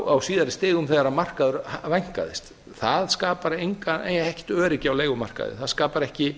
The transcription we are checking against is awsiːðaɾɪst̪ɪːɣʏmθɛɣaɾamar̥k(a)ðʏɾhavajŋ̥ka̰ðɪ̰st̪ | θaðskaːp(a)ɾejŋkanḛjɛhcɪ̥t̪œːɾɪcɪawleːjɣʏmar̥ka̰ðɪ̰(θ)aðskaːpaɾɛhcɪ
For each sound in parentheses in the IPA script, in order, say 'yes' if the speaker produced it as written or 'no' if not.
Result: yes, yes, yes

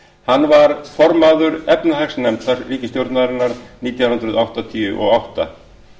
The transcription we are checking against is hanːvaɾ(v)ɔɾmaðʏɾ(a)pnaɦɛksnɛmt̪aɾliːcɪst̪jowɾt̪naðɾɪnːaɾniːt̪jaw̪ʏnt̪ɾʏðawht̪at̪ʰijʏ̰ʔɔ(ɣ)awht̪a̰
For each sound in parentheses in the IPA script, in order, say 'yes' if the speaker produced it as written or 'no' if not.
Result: no, no, yes

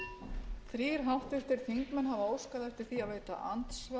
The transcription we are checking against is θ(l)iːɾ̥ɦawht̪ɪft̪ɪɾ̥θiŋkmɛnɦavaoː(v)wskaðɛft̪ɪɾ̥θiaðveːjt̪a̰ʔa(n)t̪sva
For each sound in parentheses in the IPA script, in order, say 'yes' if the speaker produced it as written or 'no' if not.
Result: no, no, yes

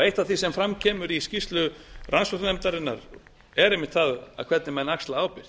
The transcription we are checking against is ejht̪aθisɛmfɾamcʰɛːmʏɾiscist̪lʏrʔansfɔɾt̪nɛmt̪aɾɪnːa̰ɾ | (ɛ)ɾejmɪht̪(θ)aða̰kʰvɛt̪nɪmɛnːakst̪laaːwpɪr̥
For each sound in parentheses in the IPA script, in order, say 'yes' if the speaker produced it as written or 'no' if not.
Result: yes, yes

